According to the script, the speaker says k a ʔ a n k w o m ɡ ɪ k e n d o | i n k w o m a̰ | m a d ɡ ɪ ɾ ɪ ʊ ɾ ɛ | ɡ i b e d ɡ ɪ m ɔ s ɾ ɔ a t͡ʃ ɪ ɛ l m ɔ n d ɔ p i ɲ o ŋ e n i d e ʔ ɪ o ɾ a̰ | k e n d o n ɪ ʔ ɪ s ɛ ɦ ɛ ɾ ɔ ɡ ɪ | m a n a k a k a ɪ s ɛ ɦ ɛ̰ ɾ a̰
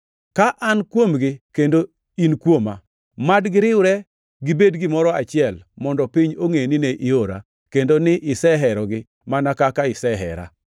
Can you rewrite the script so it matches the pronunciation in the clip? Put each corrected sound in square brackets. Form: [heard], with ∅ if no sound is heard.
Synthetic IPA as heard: k a ʔ a n k w o m ɡ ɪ k e n d o | i n k w o m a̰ | m a d ɡ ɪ ɾ ɪ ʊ ɾ ɛ | ɡ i b e d ɡ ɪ m ɔ [∅] ɾ ɔ a t͡ʃ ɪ ɛ l m ɔ n d ɔ p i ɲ o ŋ e n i [n] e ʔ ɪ o ɾ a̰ | k e n d o n ɪ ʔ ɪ s ɛ ɦ ɛ ɾ ɔ ɡ ɪ | m a n a k a k a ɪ s ɛ ɦ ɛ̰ ɾ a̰